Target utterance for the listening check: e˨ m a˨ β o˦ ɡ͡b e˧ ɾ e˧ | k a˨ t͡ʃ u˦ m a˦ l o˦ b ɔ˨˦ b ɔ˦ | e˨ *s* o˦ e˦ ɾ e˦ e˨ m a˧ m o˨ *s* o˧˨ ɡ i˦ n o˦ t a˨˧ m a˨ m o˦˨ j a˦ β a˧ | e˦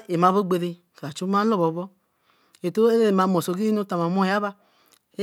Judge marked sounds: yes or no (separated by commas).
no, yes